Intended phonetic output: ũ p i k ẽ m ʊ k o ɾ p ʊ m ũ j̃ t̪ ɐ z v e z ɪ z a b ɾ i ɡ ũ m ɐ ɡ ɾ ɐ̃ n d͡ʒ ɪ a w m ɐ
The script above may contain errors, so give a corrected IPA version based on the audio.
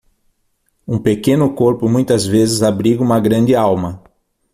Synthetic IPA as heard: ũ p e k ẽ n ʊ k o ɾ p ʊ m ũ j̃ t̪ ɐ z v e z ɪ z a b ɾ i ɡ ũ m ɐ ɡ ɾ ɐ̃ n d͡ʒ ɪ a w m ɐ